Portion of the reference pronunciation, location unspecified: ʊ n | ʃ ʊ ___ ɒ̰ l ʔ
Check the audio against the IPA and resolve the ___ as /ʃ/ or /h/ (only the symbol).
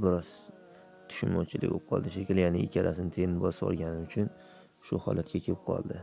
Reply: h